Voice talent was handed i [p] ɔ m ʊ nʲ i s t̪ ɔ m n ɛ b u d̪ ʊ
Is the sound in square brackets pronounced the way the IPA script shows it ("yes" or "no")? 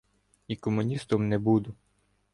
no